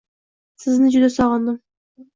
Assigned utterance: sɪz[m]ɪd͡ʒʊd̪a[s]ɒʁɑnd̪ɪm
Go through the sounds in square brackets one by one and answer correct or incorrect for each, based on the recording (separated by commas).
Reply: incorrect, correct